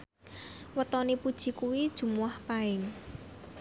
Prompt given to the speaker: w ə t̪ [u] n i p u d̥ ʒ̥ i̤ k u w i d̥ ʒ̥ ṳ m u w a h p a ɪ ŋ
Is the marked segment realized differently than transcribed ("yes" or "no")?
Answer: yes